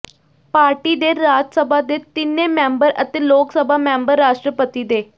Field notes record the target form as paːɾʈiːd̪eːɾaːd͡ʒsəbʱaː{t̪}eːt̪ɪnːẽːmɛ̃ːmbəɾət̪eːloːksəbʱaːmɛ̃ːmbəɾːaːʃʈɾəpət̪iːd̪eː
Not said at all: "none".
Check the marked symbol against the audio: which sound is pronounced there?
d̪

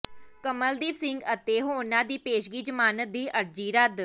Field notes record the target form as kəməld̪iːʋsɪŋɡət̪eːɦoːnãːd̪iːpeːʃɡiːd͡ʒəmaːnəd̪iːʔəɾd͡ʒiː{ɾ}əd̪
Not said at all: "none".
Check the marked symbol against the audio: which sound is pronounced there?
ɾ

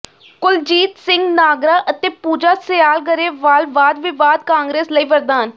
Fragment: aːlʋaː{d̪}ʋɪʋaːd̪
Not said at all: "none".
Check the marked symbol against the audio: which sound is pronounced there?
d̪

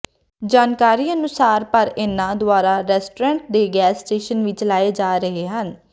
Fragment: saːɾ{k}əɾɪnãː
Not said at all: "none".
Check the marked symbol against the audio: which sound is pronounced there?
p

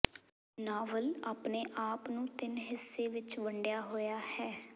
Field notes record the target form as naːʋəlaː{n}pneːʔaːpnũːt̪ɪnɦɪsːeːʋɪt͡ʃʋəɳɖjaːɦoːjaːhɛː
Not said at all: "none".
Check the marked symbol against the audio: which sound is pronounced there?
none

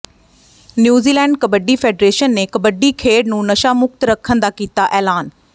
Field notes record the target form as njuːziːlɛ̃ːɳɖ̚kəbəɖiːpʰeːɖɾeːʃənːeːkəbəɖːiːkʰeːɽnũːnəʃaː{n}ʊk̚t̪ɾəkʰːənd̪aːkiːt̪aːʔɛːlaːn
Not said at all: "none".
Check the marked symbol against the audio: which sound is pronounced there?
m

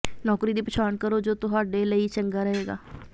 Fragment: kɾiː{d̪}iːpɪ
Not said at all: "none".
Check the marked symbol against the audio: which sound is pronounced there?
d̪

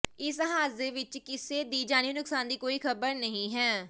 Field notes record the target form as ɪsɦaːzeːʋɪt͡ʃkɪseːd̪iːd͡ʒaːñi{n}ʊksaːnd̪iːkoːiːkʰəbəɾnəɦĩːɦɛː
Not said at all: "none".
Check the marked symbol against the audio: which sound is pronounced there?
n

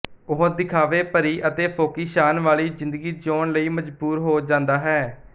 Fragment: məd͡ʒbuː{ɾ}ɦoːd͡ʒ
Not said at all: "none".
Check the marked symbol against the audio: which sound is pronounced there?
ɾ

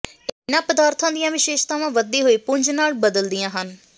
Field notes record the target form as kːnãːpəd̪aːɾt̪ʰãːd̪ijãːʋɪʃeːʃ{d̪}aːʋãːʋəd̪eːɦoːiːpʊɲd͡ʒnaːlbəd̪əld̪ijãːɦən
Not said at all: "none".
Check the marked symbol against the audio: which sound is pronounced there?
t̪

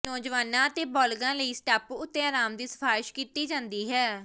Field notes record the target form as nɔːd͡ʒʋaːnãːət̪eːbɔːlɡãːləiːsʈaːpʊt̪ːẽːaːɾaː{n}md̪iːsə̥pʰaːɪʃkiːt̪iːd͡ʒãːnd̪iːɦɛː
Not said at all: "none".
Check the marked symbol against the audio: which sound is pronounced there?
none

